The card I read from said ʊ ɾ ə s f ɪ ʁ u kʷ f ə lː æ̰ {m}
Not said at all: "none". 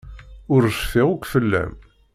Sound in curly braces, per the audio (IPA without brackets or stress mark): m